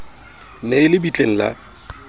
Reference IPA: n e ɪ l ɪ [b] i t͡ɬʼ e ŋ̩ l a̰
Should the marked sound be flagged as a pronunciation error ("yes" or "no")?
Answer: no